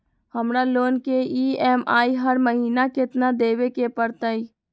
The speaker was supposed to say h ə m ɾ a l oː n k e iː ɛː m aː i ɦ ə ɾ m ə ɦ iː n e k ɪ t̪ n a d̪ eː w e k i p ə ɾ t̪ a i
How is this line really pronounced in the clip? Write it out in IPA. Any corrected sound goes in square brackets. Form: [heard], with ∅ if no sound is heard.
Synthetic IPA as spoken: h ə m ɾ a l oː n k e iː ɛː m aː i ɦ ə ɾ m ə ɦ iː n [a] k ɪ t̪ n a d̪ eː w e k [e] p ə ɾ t̪ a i